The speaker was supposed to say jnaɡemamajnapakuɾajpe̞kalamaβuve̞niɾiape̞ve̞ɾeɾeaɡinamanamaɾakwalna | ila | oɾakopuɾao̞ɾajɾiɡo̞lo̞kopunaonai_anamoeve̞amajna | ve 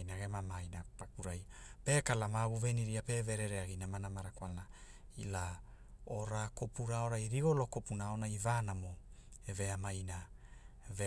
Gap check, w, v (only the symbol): v